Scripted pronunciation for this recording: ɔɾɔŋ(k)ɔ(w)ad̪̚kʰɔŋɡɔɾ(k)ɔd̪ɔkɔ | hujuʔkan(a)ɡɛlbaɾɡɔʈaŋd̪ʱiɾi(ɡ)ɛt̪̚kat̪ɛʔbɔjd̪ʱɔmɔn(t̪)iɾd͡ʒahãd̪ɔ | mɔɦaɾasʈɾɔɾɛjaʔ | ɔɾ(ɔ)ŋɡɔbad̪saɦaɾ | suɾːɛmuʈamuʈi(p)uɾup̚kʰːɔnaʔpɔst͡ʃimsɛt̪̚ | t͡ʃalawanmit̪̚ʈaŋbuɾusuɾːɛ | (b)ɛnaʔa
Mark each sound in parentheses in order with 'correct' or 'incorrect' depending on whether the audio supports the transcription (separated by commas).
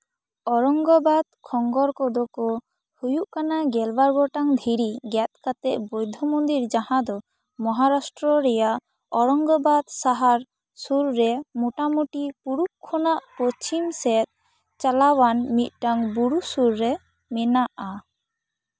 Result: incorrect, incorrect, correct, correct, correct, incorrect, correct, correct, incorrect